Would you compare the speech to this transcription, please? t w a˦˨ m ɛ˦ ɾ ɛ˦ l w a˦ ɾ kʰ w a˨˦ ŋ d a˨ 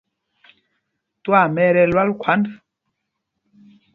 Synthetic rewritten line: t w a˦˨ m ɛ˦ ɾ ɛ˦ l w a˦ l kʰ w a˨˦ n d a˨